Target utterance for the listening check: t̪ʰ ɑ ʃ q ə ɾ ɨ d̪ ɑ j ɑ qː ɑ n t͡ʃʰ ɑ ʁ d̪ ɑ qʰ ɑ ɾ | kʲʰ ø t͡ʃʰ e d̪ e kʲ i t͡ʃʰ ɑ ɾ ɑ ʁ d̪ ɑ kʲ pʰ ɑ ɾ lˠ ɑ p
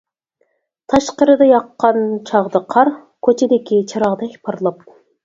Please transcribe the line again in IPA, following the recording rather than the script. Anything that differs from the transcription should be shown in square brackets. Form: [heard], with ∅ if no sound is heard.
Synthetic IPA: t̪ʰ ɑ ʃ q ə ɾ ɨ d̪ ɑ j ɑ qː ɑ n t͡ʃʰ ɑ ʁ d̪ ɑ qʰ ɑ ɾ | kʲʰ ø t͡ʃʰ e d̪ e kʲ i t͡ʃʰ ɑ ɾ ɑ ʁ d̪ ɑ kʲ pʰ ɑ ɾ lˠ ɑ p